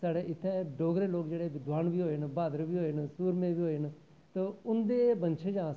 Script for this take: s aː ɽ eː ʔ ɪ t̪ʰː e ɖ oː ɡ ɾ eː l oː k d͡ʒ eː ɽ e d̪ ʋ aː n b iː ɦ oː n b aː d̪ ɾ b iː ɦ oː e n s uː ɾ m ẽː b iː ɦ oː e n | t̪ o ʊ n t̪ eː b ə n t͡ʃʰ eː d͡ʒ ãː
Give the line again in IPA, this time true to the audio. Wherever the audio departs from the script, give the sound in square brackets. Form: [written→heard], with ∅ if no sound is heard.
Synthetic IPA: s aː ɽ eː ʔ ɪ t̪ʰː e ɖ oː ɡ ɾ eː l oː k d͡ʒ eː ɽ e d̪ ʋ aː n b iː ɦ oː n b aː d̪ ɾ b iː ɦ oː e n s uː ɾ m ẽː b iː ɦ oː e n | t̪ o ʊ n [t̪→d̪] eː b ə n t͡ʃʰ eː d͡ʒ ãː